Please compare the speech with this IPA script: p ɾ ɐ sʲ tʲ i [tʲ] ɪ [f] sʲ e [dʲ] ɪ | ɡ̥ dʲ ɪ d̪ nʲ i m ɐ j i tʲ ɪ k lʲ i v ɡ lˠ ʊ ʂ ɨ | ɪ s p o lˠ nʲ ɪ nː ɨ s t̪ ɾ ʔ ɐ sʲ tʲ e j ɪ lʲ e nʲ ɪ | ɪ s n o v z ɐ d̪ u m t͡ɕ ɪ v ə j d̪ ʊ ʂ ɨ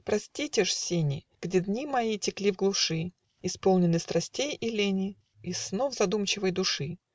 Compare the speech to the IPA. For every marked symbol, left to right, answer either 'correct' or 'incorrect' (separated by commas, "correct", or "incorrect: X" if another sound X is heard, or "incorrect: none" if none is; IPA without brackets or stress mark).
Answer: correct, incorrect: ʂ, incorrect: nʲ